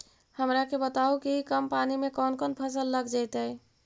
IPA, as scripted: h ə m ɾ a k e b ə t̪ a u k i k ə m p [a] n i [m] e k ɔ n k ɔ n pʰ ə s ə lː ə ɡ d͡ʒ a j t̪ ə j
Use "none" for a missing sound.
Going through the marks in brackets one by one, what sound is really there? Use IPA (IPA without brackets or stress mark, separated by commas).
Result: a, m